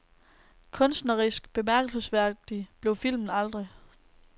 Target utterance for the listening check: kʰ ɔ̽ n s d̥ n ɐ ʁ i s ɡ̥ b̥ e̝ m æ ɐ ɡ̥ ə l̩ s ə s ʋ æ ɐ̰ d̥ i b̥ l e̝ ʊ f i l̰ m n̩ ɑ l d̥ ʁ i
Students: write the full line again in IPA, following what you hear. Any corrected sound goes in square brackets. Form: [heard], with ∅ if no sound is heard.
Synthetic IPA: kʰ ɔ̽ n s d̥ n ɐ ʁ i s ɡ̥ b̥ e̝ m æ ɐ ɡ̥ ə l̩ s ə s ʋ æ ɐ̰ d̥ i b̥ l e̝ ʊ f i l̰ m n̩ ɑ l d̥ ʁ i